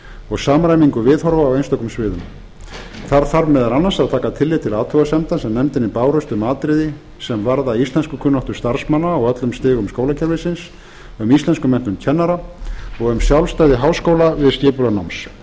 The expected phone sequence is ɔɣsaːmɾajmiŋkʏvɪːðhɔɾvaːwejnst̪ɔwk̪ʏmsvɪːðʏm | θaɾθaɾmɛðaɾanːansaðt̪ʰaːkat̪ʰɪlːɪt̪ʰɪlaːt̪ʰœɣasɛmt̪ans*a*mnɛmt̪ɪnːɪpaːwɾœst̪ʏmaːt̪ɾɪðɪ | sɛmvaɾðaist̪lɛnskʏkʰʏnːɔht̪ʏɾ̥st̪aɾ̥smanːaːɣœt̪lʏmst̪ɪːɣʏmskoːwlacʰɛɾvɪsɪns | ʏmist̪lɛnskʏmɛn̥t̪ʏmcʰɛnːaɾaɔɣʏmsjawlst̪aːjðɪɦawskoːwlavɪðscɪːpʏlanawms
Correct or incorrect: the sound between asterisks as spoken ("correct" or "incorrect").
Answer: incorrect